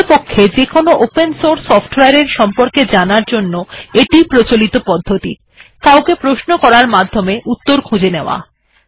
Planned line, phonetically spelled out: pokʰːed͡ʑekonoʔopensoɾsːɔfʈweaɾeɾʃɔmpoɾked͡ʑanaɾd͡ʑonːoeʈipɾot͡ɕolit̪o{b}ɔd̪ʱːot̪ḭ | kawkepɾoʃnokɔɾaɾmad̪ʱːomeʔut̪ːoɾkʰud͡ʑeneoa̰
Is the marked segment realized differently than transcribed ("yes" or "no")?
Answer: yes